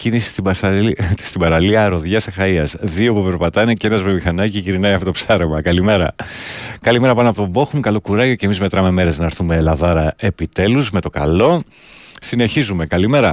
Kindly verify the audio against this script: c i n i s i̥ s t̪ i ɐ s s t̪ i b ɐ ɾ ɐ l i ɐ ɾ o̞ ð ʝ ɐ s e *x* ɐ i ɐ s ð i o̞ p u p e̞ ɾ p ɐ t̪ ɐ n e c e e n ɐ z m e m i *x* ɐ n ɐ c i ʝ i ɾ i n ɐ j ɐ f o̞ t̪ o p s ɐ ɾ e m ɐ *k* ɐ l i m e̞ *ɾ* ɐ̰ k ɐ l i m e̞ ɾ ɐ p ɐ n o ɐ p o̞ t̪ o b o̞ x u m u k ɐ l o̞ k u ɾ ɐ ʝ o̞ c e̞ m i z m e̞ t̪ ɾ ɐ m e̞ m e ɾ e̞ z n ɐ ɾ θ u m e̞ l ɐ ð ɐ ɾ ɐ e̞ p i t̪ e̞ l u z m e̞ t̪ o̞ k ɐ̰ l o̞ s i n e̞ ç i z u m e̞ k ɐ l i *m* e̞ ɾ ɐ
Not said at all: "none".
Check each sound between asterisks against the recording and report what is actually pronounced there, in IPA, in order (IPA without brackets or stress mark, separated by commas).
x, x, k, ɾ, m